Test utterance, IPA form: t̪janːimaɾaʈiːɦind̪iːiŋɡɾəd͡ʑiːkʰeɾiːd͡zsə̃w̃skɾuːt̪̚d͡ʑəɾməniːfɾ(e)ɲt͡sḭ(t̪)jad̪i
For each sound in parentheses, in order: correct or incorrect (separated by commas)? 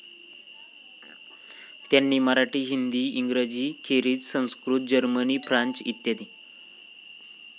incorrect, correct